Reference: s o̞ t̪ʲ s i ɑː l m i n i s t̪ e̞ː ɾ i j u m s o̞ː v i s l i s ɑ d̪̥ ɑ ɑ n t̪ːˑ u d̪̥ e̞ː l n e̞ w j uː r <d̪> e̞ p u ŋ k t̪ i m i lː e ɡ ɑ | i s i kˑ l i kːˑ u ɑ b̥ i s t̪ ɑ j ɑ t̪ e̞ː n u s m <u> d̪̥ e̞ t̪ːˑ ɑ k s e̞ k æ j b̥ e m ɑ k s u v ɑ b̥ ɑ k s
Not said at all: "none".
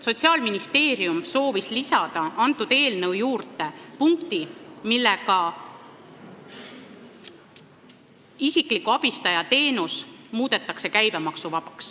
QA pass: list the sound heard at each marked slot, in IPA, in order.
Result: t̪, uː

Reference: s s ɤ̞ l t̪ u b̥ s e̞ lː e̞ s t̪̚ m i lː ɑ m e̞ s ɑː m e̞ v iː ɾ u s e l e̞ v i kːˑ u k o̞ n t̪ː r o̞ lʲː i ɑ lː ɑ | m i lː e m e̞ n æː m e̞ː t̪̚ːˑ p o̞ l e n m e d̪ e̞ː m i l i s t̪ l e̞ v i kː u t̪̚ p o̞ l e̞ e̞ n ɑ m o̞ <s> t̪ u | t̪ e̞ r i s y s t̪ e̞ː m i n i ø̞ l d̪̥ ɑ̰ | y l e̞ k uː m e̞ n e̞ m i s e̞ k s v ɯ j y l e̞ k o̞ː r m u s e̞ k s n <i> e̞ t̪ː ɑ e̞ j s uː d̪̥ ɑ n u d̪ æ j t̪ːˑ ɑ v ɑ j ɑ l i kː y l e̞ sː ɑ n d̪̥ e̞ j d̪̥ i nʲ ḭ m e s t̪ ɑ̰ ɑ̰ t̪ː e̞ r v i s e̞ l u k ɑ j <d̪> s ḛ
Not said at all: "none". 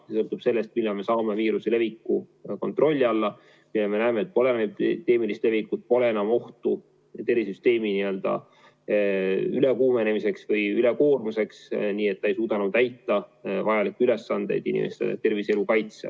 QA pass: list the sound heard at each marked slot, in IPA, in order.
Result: h, iː, t̪

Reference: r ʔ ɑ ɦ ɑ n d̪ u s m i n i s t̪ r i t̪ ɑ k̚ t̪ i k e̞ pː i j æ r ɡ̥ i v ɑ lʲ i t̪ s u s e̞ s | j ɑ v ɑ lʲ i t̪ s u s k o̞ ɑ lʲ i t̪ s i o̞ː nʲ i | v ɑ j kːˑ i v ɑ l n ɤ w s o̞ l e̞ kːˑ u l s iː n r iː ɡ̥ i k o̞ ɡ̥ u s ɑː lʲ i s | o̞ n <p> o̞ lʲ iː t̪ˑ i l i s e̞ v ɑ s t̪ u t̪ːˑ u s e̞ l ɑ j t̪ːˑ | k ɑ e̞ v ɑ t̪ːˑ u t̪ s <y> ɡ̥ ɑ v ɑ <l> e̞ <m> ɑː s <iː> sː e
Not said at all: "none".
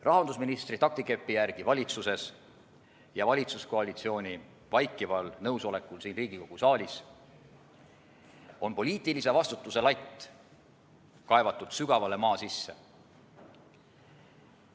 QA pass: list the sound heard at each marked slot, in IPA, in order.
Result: p, y, l, m, i

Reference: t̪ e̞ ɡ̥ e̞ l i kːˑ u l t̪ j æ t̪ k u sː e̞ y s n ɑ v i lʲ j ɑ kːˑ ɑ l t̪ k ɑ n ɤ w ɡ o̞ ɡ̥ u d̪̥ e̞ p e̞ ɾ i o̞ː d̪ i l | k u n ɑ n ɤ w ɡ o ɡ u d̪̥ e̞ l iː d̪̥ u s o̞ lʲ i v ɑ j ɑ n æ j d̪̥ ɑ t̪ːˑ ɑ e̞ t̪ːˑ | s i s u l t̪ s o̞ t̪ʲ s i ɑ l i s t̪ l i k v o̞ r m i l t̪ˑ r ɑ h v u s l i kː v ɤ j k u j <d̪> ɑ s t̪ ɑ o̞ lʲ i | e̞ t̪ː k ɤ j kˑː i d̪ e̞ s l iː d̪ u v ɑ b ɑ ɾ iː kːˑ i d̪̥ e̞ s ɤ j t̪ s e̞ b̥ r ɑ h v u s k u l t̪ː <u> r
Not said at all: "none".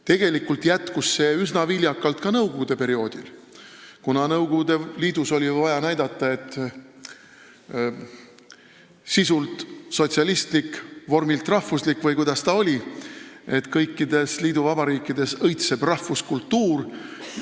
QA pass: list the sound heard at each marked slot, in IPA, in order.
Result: d̪, uː

